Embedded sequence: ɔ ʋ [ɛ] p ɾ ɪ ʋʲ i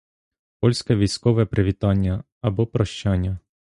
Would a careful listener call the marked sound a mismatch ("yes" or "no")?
no